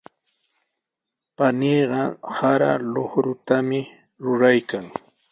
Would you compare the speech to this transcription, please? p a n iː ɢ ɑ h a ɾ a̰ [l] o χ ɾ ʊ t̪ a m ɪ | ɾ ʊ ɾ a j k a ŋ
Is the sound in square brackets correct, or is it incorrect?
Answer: correct